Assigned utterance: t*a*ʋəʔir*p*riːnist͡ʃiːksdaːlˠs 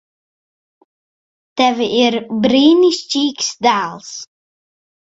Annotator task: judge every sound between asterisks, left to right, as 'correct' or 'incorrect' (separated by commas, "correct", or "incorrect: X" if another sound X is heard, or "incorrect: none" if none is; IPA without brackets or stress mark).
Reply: incorrect: ɛ, incorrect: b